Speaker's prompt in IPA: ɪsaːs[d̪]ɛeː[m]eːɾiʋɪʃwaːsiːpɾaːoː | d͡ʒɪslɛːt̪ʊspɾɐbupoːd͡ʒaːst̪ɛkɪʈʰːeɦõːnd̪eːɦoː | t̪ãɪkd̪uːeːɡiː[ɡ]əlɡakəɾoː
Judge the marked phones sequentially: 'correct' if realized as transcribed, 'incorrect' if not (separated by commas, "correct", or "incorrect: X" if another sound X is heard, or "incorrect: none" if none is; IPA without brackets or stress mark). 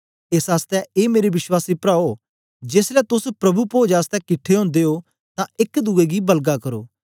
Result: incorrect: t̪, correct, incorrect: b